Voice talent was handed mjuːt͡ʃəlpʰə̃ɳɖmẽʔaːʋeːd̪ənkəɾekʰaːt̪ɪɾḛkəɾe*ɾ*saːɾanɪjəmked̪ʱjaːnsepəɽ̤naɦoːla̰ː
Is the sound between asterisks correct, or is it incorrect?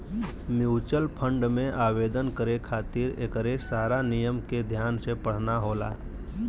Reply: incorrect